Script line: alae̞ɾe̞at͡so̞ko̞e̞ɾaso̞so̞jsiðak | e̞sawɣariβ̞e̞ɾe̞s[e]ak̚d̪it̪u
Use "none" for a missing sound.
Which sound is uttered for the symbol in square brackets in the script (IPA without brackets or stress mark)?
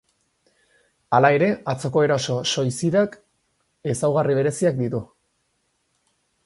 i